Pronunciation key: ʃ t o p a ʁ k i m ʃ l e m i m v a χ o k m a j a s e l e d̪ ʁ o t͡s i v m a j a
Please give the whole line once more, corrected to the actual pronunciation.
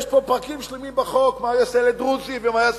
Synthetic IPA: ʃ p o p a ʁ k i m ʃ l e m i m b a χ o k m a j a s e l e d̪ ʁ u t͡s i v m a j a